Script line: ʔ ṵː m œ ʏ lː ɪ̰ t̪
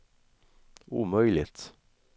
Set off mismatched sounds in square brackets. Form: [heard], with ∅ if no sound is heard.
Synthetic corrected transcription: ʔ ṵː m œ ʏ [l] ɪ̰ t̪